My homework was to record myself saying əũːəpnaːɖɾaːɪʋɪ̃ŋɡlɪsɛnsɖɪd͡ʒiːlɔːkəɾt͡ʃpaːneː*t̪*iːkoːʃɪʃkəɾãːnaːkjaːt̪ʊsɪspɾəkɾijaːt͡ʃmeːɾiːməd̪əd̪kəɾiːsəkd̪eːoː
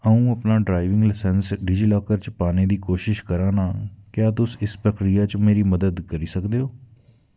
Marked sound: incorrect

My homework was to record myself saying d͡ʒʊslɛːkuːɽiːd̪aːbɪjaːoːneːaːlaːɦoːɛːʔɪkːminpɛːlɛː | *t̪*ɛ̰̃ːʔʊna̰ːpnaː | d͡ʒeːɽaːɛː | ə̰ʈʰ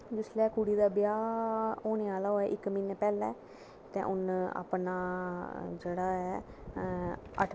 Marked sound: correct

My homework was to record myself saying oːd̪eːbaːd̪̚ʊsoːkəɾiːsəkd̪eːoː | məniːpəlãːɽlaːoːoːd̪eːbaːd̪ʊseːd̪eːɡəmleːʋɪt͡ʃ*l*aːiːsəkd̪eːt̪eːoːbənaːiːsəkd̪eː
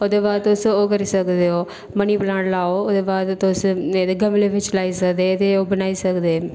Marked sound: correct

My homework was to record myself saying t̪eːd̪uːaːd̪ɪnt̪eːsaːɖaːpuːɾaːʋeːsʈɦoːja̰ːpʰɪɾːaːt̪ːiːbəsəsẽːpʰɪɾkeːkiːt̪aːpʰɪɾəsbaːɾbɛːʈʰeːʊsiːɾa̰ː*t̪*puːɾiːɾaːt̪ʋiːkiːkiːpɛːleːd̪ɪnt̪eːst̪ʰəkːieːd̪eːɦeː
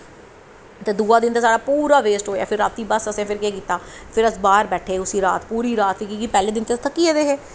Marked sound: correct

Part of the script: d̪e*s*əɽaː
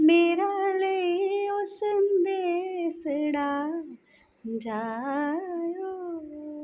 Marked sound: correct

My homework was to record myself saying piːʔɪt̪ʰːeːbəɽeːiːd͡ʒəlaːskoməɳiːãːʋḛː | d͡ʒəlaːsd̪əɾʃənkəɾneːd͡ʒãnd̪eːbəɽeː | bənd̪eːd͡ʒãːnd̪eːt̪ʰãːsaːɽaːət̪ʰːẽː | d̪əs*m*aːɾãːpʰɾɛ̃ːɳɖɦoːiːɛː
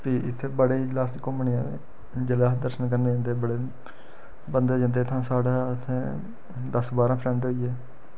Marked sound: incorrect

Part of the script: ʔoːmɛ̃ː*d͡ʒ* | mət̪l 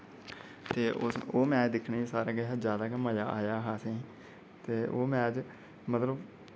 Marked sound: correct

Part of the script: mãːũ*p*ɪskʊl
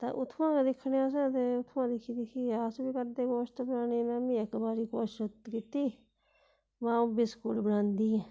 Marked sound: incorrect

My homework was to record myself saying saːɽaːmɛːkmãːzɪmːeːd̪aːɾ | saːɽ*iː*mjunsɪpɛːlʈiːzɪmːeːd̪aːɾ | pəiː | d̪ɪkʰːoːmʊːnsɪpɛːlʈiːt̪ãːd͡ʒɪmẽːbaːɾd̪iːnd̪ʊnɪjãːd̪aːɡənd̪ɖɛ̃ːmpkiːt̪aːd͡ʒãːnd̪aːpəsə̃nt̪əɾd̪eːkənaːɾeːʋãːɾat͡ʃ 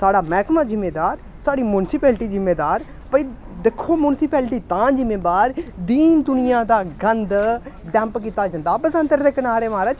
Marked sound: correct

